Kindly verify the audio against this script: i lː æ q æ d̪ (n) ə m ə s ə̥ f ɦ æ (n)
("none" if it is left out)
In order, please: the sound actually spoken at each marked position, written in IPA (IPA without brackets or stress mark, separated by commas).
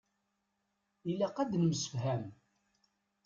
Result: n, m